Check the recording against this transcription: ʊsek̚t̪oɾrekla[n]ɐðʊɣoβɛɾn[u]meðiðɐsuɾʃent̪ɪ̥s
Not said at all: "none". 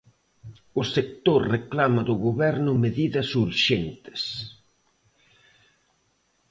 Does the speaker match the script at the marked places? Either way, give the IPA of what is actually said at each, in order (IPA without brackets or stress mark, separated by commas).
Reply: m, ʊ